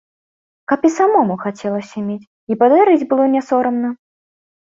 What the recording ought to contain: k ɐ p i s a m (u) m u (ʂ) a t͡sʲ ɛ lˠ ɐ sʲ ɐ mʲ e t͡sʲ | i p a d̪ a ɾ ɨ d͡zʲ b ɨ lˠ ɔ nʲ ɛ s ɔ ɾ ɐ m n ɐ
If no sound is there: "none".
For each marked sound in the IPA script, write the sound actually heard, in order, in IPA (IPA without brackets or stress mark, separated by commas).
ɔ, x